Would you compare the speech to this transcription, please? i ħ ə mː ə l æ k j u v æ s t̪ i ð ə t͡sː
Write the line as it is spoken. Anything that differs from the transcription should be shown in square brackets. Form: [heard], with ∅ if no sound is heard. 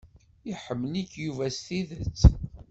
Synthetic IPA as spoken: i ħ ə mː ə l [i] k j u v æ s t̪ i ð ə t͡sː